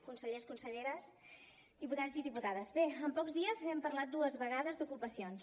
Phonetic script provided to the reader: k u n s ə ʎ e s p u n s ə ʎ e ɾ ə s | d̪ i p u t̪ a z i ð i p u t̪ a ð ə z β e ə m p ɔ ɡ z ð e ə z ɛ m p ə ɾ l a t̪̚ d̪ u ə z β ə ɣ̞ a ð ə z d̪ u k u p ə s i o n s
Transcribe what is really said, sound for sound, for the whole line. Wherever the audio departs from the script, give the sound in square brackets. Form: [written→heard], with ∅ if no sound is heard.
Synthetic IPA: k u n s ə ʎ e s [p→k] u n s ə ʎ e ɾ ə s | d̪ i p u t̪ a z i ð i p u t̪ a ð ə z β e ə m p ɔ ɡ z ð [e→i] ə z ɛ m p ə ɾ l a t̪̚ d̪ u ə z β ə ɣ̞ a ð ə z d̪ u k u p ə s i o n s